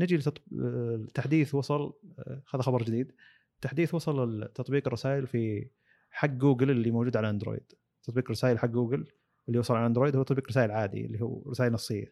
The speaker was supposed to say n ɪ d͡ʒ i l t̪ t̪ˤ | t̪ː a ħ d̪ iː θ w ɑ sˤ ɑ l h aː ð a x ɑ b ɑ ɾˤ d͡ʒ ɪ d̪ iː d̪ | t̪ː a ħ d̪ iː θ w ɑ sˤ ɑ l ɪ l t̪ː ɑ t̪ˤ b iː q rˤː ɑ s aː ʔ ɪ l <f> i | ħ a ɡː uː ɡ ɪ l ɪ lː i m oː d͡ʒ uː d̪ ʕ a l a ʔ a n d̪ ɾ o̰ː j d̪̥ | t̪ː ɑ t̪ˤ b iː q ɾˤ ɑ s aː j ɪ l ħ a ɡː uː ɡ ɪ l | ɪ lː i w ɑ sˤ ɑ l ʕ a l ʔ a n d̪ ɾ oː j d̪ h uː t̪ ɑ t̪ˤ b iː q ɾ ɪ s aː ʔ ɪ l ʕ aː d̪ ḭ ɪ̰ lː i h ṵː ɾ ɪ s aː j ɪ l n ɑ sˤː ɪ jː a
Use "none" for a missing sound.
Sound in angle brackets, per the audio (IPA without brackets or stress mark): f